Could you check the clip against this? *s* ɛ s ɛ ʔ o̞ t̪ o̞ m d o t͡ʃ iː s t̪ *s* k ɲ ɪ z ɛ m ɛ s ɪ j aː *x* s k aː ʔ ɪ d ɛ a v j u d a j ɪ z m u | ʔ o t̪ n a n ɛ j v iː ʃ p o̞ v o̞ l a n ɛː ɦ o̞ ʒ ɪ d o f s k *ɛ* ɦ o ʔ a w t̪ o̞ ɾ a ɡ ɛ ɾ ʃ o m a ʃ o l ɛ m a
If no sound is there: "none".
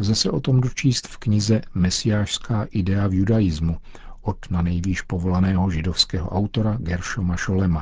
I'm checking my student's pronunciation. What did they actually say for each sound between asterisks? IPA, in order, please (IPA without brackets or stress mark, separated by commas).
z, f, ʃ, ɛː